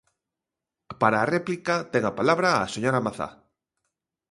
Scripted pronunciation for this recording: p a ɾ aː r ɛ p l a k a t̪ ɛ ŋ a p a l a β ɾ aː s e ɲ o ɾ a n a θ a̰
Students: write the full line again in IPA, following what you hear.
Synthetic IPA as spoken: p a ɾ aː r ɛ p l i k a t̪ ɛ ŋ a p a l a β ɾ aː s e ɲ o ɾ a m a θ a̰